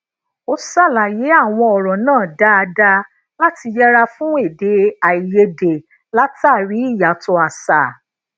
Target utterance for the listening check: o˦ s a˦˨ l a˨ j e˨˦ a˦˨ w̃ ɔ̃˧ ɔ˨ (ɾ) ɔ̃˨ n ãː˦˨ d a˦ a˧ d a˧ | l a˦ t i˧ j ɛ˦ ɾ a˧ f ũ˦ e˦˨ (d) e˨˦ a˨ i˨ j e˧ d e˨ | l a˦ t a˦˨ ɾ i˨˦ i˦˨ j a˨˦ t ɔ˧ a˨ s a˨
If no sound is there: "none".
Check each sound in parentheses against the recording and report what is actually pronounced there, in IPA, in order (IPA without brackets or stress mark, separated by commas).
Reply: ɾ, d